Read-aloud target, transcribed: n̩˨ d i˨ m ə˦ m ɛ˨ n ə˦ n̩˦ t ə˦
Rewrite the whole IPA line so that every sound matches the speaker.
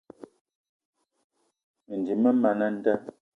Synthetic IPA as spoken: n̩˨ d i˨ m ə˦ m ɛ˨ n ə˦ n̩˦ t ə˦